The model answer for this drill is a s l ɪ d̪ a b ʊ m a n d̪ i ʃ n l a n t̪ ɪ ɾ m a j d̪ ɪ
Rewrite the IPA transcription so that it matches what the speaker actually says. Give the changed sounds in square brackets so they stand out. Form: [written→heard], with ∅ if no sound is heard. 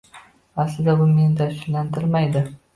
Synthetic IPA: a s l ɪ d̪ a b ʊ m [a→e] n d̪ [i→a] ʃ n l a n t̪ ɪ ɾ m a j d̪ ɪ